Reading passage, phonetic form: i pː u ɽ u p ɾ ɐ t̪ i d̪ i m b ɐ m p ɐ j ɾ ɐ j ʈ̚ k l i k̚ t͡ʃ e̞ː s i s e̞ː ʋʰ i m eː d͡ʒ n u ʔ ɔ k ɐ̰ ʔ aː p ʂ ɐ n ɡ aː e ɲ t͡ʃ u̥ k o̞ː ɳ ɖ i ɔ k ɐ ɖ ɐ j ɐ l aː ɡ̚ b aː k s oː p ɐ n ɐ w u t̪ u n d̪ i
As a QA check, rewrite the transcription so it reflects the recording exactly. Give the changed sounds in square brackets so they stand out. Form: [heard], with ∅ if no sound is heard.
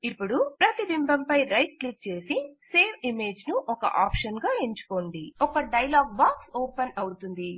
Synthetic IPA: i pː u ɽ u p ɾ ɐ t̪ i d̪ i m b ɐ m p ɐ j ɾ ɐ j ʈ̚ k l i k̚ t͡ʃ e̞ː s i s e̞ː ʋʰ i m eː d͡ʒ n u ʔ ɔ k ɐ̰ ʔ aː p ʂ ɐ n ɡ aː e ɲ t͡ʃ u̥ k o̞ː ɳ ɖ i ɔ k ɐ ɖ ɐ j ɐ l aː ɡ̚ b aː k s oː p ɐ n ɐ w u t̪ u n d̪ i